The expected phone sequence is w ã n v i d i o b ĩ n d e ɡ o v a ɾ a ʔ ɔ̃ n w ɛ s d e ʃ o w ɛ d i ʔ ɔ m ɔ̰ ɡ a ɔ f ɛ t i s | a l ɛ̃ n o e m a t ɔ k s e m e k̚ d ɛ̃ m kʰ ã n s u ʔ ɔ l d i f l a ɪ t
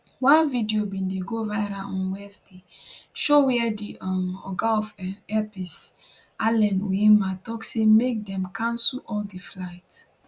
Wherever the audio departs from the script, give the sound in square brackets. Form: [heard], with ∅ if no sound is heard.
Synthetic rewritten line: w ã n v i d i o b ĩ n d e ɡ o v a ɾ a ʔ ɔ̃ n w ɛ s d e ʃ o w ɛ d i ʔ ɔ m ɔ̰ ɡ a ɔ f ɛ [p] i s | a l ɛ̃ n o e m a t ɔ k s e m e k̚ d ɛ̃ m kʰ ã n s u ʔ ɔ l d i f l a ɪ t